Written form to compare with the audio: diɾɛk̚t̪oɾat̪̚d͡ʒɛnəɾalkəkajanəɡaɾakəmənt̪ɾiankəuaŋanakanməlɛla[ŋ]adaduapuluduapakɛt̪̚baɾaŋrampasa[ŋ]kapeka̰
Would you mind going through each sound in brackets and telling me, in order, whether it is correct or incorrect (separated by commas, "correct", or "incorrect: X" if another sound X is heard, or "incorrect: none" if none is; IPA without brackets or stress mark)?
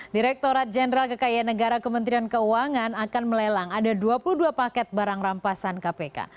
correct, incorrect: n